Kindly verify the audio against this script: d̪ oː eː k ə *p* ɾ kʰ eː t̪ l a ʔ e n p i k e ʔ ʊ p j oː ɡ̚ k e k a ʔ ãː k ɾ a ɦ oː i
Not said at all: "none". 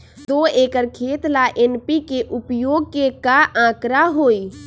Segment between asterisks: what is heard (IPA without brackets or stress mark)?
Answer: none